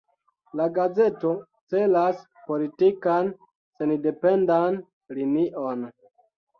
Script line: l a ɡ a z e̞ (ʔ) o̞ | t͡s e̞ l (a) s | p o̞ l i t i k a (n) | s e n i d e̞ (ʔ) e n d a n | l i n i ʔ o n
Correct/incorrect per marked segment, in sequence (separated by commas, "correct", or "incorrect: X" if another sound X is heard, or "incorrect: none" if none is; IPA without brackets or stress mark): incorrect: t, correct, correct, incorrect: p